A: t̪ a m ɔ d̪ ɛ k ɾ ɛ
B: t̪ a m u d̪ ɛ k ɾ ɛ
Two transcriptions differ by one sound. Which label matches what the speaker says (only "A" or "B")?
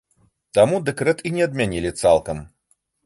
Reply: B